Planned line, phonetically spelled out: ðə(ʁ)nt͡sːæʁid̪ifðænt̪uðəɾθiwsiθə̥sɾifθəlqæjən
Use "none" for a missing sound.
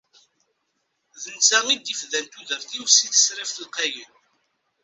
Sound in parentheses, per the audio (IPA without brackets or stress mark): none